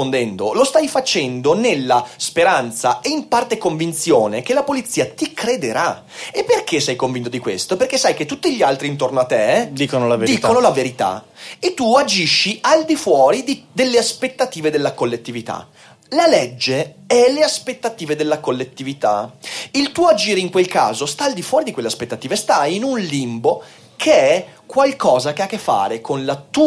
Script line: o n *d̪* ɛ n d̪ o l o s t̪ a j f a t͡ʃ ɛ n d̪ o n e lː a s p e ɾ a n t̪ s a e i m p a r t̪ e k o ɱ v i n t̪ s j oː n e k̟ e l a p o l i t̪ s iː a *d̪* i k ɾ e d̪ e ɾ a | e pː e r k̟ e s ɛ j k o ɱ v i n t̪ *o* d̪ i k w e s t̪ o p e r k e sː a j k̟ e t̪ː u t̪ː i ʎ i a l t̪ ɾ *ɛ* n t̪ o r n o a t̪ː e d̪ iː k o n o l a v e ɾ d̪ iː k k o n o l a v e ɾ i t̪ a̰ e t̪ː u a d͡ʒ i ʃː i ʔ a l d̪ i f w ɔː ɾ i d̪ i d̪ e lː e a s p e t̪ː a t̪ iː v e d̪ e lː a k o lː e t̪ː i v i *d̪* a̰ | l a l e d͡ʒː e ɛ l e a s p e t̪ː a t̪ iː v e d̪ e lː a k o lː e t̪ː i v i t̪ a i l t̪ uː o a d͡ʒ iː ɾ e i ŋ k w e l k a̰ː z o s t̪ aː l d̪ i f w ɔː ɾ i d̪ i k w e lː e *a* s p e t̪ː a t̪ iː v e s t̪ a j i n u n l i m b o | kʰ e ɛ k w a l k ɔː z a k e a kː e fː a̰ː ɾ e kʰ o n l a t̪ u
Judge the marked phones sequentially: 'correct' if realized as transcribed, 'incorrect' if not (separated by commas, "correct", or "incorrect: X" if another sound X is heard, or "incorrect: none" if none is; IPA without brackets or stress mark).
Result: correct, incorrect: t̪, correct, incorrect: i, incorrect: t̪, correct